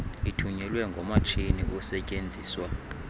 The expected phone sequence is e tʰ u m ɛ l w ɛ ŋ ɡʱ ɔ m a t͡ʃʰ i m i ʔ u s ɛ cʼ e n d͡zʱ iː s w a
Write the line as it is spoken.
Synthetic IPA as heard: i tʰ u ɲ ɛ l w ɛ ŋ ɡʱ ɔ m a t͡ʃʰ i n i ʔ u s ɛ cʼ e n d͡zʱ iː s w a